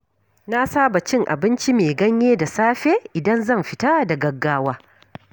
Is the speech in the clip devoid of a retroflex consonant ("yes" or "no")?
yes